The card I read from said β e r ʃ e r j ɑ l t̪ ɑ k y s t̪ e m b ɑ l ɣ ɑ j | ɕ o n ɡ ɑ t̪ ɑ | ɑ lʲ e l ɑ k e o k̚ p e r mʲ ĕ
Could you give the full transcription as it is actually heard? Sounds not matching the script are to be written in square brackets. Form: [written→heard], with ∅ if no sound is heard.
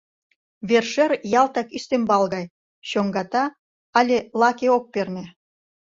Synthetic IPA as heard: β e r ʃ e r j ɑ l t̪ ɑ k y s t̪ e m b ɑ l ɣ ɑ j | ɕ o [n→ŋ] ɡ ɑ t̪ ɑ | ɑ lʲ e l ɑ k e o k̚ p e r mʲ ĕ